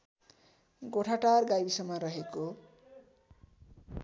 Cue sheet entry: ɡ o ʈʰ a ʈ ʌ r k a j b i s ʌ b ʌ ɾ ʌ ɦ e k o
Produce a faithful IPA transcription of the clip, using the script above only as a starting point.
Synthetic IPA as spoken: ɡ o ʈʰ a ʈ a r ɡ a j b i s ʌ m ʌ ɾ ʌ ɦ e k o